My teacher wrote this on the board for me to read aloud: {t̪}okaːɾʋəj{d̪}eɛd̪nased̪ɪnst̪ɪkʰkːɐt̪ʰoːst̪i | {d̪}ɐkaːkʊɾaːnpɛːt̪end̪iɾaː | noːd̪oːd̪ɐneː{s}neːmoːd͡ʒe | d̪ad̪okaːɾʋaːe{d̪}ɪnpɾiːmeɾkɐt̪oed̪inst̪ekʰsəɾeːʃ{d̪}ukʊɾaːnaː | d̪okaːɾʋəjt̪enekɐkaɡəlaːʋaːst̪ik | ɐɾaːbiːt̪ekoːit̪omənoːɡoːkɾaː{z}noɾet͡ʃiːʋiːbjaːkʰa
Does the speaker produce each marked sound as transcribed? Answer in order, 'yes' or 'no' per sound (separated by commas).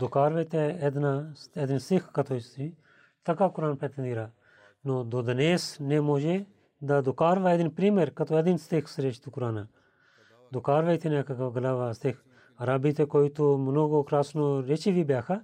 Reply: no, no, no, yes, yes, no, no